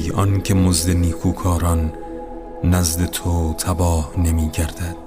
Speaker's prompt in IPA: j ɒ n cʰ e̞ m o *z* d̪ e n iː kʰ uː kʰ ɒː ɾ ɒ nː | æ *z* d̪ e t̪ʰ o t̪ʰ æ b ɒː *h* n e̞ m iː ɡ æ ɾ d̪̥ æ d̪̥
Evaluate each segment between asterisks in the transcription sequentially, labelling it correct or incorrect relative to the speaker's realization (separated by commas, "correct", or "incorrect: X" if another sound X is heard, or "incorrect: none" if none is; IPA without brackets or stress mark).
correct, correct, correct